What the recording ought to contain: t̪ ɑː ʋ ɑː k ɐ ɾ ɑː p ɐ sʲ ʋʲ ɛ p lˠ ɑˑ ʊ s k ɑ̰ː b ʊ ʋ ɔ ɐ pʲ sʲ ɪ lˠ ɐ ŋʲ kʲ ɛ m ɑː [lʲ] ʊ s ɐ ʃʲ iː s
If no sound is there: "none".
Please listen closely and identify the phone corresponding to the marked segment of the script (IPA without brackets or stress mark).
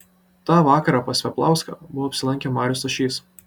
ɾʲ